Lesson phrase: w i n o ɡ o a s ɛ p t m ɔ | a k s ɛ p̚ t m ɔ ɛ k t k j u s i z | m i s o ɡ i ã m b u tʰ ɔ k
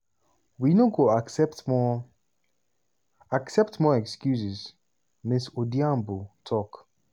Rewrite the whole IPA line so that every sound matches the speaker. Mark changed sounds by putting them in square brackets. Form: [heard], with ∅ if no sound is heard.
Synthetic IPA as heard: w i n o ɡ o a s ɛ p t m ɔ | a k s ɛ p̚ t m ɔ ɛ k [s] k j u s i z | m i s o [d] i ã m b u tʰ ɔ k